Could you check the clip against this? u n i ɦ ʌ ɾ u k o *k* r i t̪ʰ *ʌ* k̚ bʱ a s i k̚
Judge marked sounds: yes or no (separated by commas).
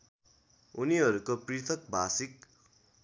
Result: no, yes